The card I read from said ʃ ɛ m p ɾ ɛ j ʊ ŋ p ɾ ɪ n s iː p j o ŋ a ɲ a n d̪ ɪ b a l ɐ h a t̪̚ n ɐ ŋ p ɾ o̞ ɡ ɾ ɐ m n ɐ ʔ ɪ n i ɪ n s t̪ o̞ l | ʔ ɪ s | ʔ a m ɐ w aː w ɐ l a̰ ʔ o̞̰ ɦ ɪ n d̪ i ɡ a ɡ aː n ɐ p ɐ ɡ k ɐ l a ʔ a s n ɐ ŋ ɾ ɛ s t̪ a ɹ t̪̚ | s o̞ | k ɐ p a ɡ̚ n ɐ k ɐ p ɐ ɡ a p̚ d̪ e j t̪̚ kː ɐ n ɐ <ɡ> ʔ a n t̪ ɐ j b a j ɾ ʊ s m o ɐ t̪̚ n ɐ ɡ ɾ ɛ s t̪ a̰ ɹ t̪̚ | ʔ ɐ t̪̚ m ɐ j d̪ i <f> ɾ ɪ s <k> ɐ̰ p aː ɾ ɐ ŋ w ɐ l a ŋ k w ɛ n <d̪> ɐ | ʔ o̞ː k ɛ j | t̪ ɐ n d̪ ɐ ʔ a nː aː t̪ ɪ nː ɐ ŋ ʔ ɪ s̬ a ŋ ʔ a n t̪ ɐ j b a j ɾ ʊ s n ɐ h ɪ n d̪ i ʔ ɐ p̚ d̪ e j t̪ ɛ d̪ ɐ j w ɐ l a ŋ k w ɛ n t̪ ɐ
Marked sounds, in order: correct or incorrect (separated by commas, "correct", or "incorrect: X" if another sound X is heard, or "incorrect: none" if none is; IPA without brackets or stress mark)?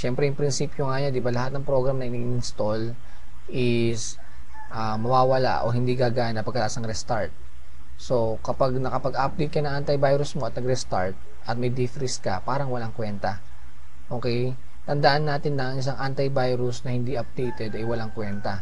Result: incorrect: ŋ, correct, correct, incorrect: t̪